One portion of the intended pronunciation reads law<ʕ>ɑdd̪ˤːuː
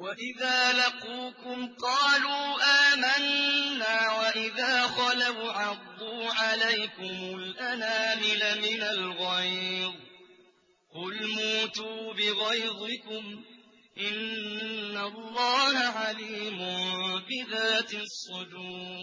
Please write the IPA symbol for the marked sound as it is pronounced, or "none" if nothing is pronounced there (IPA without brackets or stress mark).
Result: ʕ